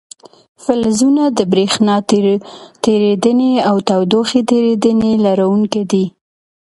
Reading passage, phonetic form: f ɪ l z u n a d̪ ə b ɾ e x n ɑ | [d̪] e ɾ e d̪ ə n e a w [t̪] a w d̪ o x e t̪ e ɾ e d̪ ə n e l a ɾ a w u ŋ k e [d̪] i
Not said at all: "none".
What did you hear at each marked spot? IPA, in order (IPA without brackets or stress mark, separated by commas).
t̪, t̪, d̪